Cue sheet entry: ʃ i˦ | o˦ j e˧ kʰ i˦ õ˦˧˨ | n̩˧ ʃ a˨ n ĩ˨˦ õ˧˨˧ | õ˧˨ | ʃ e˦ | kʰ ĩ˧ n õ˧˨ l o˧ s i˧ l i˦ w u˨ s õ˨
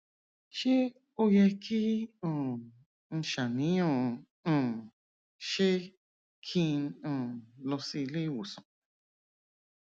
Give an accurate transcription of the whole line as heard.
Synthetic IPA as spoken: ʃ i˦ | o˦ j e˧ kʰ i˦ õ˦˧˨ | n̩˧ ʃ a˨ n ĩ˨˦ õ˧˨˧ | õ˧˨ | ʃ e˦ | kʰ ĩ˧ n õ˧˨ l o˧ s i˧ l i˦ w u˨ s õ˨